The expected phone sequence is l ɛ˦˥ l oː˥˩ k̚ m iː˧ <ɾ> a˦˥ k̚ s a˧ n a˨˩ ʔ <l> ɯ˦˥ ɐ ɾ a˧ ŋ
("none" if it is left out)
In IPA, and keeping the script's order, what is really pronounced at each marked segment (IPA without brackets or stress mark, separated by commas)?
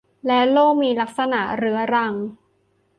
l, ɾ